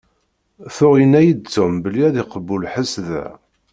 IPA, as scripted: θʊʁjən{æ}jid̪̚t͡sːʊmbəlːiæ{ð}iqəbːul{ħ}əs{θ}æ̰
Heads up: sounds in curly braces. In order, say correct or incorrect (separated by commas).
correct, correct, correct, incorrect